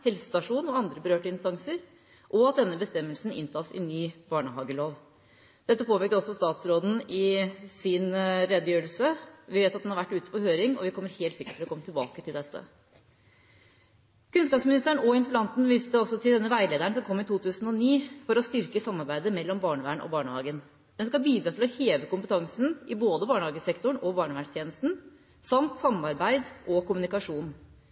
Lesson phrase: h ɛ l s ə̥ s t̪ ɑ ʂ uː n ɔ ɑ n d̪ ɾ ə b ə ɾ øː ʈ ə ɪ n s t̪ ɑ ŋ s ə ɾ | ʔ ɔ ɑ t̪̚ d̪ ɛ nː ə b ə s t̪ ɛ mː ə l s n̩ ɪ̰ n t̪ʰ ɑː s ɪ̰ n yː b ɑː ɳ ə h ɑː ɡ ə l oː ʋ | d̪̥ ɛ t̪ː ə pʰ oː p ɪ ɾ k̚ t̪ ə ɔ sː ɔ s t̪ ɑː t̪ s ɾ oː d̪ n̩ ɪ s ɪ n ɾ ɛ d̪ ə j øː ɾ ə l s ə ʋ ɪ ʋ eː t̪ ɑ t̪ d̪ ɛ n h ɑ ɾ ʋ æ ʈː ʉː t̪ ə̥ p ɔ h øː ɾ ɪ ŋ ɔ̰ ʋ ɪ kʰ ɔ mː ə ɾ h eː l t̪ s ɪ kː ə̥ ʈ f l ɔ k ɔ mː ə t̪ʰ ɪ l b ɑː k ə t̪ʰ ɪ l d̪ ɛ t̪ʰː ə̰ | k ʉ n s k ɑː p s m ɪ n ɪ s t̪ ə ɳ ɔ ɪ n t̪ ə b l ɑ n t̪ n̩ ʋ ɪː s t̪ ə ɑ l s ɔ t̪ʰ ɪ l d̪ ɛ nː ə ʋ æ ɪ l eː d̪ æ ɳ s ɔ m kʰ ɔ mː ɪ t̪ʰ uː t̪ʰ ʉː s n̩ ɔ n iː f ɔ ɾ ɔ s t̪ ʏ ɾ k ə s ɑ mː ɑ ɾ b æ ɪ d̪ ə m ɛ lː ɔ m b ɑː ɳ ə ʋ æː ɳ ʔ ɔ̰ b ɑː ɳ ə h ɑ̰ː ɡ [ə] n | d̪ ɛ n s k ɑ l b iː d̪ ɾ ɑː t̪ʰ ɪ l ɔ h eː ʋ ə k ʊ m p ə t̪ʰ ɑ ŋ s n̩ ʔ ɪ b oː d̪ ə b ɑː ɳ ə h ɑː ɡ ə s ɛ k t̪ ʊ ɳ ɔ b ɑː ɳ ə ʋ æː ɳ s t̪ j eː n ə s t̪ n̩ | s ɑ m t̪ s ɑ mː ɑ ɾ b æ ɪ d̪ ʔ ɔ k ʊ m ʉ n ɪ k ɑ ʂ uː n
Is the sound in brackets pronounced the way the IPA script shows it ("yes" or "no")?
yes